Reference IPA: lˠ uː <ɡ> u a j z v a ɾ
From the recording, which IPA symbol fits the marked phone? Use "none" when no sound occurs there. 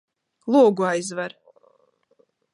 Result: ɡ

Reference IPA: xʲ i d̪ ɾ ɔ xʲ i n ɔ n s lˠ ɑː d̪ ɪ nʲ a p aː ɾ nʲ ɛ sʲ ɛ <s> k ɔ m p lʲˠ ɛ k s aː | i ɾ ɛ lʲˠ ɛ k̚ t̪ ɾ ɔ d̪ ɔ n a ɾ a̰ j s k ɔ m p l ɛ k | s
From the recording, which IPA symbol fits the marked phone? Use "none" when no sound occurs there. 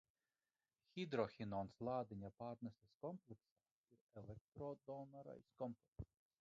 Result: s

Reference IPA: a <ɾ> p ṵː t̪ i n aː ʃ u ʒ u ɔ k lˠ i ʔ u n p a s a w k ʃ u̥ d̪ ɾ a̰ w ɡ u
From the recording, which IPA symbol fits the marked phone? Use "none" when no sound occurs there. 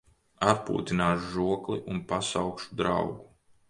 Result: ɾ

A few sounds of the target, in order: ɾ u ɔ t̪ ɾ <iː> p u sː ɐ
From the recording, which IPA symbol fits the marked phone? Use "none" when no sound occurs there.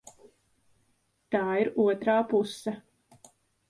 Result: aː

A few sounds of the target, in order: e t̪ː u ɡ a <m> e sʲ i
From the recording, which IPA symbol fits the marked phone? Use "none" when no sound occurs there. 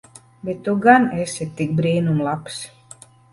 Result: n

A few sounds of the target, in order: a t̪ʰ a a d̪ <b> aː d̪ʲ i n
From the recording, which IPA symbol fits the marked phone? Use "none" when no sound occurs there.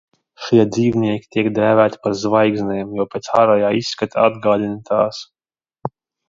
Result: ɡ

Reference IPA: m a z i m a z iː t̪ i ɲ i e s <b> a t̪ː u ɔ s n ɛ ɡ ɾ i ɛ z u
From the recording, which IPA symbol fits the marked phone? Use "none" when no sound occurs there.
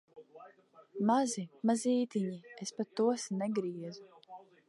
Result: p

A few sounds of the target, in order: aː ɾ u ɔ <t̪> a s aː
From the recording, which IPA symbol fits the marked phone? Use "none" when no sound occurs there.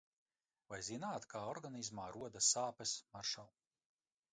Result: d̪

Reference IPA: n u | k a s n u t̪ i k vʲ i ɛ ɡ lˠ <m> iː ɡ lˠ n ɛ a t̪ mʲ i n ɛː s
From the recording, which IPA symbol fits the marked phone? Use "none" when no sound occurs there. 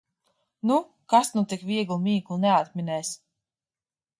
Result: m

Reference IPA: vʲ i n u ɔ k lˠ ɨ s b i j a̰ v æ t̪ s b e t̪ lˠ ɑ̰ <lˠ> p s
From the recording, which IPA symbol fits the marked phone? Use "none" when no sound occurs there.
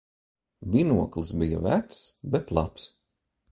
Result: none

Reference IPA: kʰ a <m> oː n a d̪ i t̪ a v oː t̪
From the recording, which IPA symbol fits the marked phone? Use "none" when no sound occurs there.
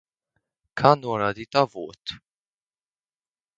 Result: n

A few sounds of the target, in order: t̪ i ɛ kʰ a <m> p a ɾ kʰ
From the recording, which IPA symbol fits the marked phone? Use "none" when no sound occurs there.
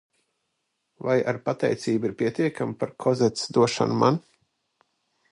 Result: m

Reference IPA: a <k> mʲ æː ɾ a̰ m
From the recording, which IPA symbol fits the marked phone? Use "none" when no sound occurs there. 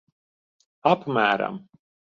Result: p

